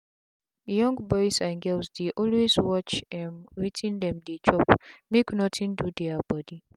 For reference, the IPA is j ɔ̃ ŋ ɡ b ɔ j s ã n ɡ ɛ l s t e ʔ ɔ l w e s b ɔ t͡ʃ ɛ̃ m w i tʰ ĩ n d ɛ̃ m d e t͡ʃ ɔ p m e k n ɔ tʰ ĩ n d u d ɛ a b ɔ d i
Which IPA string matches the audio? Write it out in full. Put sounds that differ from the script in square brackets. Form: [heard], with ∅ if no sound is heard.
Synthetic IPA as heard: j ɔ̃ ŋ ɡ b ɔ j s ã n ɡ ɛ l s [d] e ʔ ɔ l w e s [w] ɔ t͡ʃ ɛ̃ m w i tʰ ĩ n d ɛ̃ m d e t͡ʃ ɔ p m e k n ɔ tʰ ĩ n d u d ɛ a b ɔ d i